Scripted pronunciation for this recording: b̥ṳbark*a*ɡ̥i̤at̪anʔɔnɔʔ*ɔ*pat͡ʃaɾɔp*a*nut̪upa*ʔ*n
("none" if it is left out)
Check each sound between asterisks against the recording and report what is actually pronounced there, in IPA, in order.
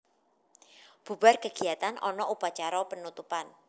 ə, u, ə, none

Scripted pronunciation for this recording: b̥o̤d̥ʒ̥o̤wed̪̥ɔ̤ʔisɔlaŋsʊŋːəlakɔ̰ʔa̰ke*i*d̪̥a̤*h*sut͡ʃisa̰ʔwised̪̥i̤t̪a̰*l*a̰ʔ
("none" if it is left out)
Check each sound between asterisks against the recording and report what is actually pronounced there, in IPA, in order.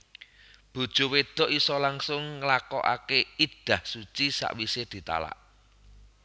i, h, l

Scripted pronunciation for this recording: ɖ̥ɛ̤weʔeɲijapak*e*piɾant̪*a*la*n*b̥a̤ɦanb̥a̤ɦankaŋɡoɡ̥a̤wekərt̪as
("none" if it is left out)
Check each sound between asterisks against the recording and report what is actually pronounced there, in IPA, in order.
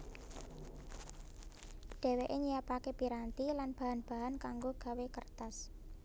e, i, n

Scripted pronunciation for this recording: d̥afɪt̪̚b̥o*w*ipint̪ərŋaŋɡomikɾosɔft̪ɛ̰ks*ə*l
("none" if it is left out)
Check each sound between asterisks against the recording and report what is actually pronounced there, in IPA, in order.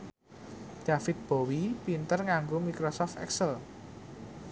w, ə

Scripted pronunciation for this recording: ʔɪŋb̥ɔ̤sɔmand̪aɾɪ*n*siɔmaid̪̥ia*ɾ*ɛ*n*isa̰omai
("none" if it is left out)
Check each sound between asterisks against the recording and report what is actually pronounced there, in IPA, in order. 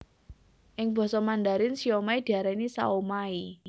n, ɾ, n

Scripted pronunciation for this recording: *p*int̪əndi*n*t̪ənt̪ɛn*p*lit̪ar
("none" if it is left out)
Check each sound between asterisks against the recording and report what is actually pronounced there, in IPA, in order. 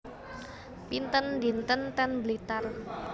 p, n, b

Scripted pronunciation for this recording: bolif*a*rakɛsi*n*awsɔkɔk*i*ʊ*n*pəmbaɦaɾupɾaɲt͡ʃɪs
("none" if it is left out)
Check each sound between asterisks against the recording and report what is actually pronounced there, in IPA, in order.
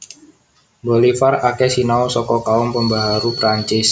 a, n, a, m

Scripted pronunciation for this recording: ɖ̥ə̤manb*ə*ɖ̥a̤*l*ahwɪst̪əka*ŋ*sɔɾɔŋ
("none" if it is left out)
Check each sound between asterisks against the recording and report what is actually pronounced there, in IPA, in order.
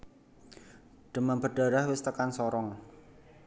ə, ɾ, n

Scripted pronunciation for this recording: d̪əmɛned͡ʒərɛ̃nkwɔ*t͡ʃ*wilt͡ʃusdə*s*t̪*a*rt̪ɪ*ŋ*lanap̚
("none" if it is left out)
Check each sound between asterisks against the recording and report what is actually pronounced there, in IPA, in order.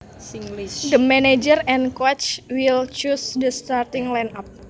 t͡ʃ, s, a, ŋ

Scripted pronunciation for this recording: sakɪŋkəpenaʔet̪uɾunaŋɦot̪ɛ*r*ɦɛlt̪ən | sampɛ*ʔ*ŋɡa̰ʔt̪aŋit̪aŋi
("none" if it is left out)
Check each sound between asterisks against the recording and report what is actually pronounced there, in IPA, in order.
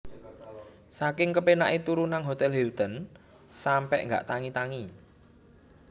l, ʔ

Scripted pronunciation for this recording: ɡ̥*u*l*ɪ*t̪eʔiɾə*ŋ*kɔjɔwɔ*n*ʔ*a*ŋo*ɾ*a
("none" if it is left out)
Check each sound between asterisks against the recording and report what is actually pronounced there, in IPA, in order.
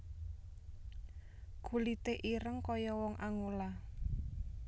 u, i, ŋ, ŋ, a, l

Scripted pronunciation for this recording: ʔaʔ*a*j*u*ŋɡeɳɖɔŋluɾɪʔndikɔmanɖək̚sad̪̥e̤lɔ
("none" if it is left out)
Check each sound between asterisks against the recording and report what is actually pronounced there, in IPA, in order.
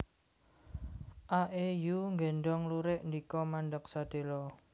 e, u

